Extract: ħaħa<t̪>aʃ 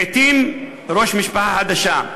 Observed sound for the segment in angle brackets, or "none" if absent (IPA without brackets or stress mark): d̪